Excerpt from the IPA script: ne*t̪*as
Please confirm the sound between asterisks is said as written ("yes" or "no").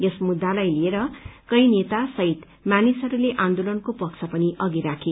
yes